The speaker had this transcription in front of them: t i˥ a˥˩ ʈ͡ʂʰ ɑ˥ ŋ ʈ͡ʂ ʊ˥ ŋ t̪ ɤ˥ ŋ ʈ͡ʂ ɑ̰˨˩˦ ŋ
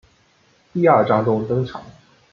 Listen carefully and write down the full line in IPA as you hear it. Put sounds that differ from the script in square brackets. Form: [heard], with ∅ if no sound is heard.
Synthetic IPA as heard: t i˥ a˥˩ [ʈ͡ʂ] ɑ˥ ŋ ʈ͡ʂ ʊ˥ ŋ t̪ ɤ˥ ŋ [ʈ͡ʂʰ] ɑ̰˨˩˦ ŋ